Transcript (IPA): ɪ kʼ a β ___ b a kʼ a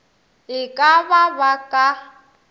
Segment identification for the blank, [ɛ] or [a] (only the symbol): a